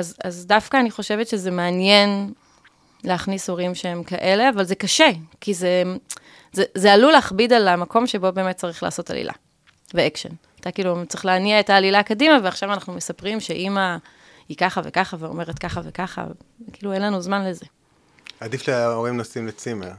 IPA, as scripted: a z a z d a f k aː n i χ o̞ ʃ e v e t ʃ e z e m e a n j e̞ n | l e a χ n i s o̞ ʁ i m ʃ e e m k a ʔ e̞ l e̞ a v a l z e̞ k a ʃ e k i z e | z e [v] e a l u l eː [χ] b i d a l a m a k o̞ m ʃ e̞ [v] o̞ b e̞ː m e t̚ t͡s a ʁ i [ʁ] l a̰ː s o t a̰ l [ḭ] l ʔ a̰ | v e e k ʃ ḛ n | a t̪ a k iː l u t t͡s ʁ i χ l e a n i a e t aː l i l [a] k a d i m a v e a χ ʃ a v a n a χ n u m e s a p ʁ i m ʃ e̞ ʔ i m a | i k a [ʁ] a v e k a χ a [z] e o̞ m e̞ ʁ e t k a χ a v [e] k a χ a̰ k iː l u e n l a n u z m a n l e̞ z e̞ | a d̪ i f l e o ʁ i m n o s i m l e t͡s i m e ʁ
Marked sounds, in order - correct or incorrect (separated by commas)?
incorrect, correct, incorrect, incorrect, correct, correct, incorrect, incorrect, correct